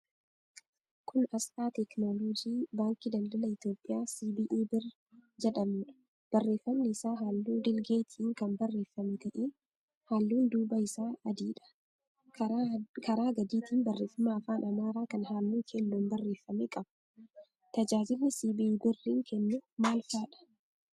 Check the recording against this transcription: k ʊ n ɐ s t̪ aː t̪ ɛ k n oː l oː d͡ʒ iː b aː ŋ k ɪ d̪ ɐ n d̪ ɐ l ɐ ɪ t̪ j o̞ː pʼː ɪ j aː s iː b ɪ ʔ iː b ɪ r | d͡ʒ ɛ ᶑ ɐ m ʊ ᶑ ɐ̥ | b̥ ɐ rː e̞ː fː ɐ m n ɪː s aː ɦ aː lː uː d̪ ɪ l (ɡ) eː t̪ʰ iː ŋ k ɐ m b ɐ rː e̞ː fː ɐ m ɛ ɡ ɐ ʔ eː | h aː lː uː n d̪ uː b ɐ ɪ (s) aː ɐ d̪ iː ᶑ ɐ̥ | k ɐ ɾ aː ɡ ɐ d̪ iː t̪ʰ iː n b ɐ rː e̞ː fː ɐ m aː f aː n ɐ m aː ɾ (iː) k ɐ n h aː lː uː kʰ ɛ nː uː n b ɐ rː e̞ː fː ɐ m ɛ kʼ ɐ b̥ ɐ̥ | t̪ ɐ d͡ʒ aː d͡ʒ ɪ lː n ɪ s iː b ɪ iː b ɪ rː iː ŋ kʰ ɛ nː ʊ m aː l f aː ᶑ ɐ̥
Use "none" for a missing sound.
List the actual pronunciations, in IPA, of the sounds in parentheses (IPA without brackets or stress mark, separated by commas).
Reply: ɡ, s, aː